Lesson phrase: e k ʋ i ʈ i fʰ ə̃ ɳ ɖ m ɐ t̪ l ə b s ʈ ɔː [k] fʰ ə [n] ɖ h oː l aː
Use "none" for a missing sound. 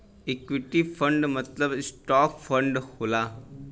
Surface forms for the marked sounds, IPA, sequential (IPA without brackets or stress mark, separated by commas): k, ɳ